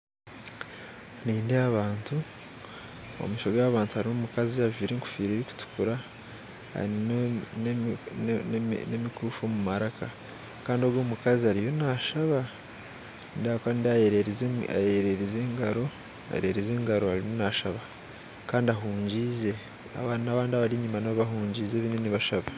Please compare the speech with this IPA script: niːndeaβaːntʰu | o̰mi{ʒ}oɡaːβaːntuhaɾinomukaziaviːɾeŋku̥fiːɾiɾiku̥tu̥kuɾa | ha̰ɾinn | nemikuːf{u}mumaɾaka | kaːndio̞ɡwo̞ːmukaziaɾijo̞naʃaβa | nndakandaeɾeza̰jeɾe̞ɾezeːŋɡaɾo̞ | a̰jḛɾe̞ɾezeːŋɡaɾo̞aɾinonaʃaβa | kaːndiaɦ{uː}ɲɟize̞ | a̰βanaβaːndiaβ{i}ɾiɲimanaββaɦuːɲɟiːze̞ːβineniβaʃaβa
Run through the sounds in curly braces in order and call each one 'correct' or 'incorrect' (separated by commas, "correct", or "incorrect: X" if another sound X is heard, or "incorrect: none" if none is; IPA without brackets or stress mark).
incorrect: ʃ, incorrect: o, correct, incorrect: a